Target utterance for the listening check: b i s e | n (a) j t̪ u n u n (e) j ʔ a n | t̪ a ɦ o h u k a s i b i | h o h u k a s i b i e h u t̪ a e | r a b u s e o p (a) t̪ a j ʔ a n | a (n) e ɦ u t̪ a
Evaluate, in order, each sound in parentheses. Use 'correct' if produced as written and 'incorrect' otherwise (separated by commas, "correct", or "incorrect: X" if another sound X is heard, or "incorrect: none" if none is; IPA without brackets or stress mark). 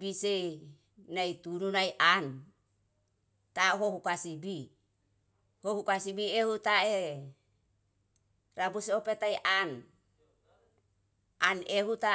correct, incorrect: a, incorrect: e, correct